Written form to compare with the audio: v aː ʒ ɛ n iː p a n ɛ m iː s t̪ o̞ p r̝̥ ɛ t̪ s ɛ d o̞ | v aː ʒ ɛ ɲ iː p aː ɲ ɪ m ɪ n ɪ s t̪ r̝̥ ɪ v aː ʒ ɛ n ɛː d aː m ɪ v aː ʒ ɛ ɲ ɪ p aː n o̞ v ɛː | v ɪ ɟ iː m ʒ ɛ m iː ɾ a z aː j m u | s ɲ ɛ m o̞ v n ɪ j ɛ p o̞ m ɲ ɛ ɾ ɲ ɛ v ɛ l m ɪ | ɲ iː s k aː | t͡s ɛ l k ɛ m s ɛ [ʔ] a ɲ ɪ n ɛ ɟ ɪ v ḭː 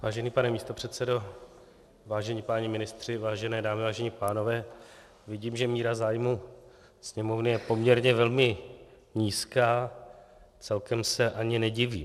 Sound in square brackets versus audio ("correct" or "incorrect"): correct